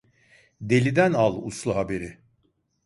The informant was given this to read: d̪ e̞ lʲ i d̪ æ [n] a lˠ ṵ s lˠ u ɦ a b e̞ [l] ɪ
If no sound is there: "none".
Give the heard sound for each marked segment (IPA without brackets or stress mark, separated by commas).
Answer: n, ɾ